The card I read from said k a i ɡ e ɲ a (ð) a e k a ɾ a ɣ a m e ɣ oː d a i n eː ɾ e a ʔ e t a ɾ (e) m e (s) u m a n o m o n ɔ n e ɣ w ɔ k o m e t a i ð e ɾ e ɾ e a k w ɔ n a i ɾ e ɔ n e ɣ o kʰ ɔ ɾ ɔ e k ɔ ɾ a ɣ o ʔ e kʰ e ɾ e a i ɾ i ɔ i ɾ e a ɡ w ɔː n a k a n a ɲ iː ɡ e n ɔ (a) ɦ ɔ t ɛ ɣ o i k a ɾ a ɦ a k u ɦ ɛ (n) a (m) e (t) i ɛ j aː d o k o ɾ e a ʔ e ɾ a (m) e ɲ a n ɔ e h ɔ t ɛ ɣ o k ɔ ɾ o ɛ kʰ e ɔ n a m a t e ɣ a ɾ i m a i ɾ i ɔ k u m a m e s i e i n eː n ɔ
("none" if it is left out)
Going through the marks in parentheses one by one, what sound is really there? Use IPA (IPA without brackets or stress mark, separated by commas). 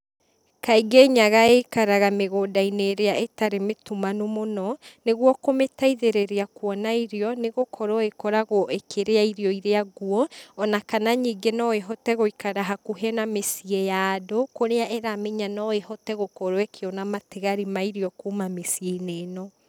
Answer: ɣ, e, t, e, n, m, s, m